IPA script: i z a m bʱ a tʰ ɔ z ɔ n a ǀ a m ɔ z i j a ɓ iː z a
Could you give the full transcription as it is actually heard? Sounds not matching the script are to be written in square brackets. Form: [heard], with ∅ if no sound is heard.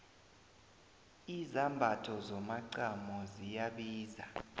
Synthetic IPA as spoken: i z a m bʱ a tʰ ɔ z ɔ [m] a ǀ a m ɔ z i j a ɓ iː z a